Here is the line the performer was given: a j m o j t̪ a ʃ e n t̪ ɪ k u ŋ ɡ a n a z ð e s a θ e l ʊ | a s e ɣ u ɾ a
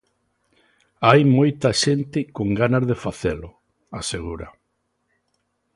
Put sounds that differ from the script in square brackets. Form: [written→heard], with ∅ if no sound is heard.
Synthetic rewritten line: a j m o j t̪ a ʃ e n t̪ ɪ k [u→o] ŋ ɡ a n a z ð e [s→f] a θ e l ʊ | a s e ɣ u ɾ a